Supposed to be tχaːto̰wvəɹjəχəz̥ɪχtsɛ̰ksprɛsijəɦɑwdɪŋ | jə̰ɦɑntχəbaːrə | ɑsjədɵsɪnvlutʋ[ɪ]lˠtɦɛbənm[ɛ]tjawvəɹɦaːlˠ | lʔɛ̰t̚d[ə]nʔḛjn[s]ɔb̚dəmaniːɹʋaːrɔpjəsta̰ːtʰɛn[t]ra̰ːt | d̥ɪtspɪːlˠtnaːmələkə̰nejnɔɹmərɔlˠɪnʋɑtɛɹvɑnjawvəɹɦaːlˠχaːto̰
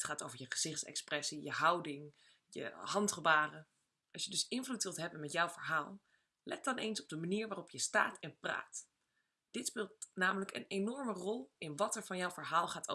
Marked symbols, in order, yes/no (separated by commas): yes, yes, no, yes, no